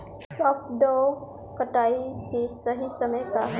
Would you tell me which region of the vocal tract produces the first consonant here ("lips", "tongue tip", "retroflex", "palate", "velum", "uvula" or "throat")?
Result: tongue tip